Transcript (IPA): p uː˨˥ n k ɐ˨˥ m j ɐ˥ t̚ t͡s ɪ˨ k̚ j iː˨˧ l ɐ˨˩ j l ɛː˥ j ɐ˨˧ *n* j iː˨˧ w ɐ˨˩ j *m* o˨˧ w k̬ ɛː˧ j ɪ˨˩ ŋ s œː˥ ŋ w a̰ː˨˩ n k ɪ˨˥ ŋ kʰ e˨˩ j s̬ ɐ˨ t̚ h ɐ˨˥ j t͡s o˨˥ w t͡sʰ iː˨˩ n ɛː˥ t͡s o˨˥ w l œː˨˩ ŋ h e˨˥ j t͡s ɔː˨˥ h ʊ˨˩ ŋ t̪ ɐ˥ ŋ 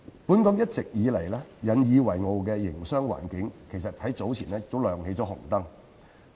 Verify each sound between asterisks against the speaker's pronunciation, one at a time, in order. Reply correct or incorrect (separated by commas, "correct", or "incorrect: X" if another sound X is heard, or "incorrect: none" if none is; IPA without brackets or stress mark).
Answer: correct, incorrect: ŋ